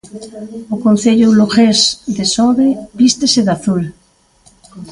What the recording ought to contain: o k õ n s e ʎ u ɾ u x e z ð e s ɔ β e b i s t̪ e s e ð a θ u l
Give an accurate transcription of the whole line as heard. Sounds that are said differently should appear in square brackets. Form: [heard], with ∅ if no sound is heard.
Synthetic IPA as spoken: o k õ n [θ] e ʎ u [l] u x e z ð e s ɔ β e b i s t̪ e s e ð a θ u l